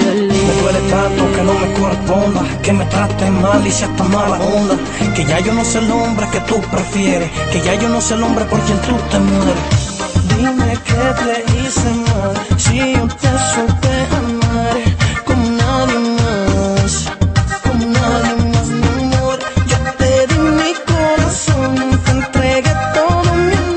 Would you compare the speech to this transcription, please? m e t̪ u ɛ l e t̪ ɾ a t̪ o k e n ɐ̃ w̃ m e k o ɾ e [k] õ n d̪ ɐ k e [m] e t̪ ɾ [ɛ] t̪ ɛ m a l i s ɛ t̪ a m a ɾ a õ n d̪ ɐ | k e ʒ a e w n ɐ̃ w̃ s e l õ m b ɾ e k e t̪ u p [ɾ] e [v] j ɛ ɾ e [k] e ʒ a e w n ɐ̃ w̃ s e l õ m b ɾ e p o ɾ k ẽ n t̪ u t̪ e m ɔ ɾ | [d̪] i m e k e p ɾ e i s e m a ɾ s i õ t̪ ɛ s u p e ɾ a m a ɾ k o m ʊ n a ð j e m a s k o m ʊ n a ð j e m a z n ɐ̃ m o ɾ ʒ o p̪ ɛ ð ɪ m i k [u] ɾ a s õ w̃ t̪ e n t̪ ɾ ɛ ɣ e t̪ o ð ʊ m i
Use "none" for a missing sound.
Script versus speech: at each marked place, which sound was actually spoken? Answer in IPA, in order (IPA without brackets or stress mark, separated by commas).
p, m, a, ɾ, f, k, d̪, o